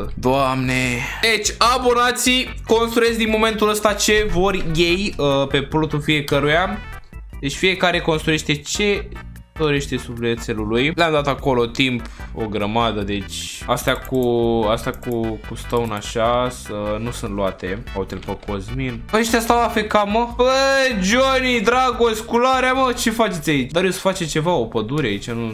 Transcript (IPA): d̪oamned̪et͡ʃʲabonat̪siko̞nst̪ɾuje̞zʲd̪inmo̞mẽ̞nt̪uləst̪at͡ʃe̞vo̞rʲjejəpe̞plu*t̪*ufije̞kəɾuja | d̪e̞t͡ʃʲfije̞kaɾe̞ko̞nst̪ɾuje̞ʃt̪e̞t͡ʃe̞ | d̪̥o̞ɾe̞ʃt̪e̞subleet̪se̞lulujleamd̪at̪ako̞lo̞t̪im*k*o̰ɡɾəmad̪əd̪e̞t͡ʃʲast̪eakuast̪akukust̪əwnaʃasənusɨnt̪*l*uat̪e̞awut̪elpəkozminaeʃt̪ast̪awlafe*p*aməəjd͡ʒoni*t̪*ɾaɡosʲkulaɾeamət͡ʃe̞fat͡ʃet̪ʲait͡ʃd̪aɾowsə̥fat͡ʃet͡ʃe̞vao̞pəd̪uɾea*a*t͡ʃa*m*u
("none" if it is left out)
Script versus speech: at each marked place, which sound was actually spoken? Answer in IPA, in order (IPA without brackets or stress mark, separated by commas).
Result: t̪, p, l, k, d̪, i, n